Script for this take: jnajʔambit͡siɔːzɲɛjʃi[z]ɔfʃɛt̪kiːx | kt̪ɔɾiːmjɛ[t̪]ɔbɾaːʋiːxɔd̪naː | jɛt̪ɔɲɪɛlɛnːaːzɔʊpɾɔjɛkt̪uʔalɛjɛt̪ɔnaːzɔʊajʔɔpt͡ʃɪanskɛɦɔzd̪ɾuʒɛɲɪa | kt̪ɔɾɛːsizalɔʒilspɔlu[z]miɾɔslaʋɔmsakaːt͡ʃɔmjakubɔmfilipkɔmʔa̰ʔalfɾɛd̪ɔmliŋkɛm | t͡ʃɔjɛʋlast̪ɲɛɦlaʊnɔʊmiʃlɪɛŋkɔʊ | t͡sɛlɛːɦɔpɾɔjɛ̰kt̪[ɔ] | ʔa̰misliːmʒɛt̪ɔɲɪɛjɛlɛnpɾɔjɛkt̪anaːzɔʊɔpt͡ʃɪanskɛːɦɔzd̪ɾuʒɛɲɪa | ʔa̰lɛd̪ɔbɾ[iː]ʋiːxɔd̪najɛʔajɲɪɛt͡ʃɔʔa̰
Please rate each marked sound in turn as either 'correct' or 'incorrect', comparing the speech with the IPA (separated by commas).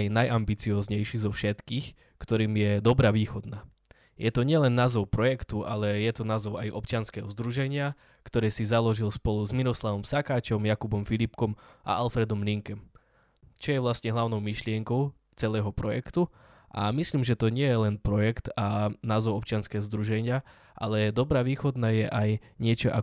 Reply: correct, incorrect, correct, incorrect, incorrect